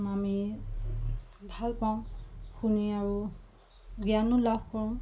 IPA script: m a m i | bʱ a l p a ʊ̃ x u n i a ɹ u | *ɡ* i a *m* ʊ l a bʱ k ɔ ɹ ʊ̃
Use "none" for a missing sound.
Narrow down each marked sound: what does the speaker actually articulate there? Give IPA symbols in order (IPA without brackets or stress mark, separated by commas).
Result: ɡ, n